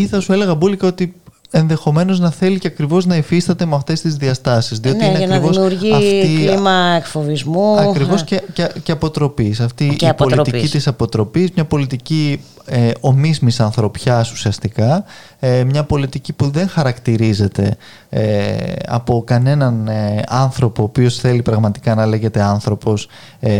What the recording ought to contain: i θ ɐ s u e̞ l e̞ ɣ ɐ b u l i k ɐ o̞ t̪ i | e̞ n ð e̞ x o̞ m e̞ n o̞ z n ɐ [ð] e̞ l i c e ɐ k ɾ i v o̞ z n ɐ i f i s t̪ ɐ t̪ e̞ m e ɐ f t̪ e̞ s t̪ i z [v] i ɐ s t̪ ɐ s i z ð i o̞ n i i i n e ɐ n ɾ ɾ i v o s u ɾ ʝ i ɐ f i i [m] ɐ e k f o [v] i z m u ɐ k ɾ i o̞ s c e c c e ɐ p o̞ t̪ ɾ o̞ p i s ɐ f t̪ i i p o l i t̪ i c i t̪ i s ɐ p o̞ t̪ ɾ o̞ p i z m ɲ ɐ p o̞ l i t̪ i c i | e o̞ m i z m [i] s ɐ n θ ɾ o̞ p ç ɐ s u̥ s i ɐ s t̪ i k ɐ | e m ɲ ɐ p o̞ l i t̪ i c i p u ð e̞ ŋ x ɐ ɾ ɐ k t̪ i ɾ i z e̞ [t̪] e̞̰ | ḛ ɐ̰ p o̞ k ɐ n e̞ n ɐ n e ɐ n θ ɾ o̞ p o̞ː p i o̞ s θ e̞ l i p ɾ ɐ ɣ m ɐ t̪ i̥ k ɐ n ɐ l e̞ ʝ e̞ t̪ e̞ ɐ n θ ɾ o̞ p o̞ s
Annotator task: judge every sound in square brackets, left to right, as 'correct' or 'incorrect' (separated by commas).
incorrect, incorrect, correct, correct, correct, correct